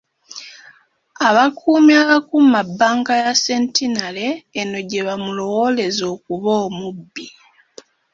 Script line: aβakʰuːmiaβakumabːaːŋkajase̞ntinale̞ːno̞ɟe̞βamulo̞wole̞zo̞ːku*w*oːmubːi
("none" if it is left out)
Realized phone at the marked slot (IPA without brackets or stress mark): β